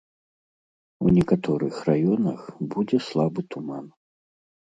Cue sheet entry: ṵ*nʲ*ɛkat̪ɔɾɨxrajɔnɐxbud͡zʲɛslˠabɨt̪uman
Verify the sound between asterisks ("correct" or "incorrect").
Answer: correct